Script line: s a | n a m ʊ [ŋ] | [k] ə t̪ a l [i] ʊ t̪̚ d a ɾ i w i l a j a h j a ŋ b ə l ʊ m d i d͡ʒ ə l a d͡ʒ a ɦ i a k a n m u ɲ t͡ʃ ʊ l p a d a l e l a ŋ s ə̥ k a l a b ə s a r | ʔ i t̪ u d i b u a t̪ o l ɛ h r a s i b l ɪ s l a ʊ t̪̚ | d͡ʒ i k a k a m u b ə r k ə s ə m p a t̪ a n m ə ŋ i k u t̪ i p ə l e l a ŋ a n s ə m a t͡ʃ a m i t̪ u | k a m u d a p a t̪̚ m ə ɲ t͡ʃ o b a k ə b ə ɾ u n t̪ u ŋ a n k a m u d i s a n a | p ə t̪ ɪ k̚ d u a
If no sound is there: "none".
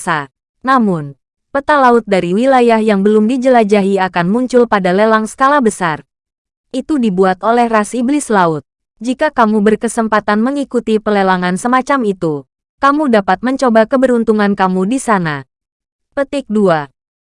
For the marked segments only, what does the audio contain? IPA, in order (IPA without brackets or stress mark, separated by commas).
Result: n, p, a